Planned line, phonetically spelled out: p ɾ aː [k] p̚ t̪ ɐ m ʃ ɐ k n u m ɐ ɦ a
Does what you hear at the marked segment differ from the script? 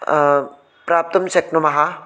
yes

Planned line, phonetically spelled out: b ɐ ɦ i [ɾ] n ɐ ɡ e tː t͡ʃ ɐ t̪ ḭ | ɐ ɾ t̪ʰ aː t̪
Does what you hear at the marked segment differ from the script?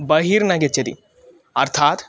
no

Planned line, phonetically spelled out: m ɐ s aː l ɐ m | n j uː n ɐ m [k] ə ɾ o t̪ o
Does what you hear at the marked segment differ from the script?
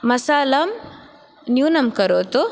no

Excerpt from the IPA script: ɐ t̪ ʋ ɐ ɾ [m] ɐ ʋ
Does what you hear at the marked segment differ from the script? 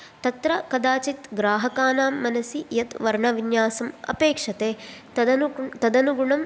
yes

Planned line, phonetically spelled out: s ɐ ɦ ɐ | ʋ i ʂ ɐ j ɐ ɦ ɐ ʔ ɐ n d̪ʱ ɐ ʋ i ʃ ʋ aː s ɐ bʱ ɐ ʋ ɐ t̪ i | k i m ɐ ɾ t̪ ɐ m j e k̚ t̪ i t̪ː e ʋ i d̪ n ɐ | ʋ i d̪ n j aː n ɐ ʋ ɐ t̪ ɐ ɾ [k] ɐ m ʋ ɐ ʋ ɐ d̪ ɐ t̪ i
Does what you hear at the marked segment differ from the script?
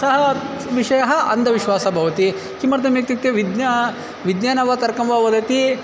no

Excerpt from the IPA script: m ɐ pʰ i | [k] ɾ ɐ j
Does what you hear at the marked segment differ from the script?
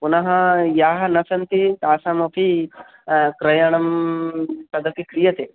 no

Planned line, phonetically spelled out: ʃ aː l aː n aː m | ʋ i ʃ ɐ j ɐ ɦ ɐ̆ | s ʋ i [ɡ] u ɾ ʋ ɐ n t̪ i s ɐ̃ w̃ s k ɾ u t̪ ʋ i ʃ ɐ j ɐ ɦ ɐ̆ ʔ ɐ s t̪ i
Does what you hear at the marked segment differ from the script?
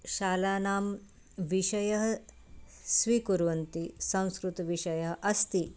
yes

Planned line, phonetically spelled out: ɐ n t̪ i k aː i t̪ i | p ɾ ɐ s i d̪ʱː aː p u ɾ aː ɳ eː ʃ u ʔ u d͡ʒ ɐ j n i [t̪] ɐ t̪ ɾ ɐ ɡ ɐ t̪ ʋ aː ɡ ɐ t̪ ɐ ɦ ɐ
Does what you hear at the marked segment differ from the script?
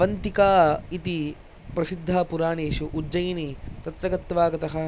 no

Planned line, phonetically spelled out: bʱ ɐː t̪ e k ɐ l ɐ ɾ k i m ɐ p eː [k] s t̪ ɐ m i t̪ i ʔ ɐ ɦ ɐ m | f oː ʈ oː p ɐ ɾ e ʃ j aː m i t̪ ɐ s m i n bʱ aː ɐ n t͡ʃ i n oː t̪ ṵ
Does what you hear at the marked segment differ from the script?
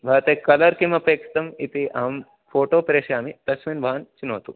no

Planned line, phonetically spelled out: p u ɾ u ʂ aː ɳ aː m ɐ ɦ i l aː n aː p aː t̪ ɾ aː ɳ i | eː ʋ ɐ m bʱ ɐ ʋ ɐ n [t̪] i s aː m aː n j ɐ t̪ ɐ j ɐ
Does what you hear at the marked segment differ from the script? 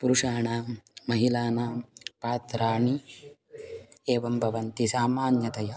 no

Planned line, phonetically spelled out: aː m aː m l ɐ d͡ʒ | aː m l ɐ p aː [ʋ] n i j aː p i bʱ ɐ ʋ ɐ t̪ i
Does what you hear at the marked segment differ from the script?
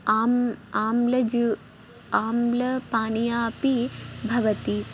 yes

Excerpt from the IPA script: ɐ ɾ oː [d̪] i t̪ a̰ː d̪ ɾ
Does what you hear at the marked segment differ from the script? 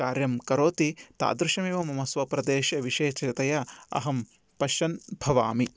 yes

